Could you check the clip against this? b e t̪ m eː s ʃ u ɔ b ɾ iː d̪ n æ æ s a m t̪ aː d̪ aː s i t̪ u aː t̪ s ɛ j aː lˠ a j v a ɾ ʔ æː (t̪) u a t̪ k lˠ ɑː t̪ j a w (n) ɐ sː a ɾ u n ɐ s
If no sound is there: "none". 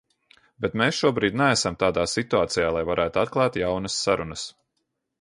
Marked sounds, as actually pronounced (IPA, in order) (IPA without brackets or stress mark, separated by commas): t̪, n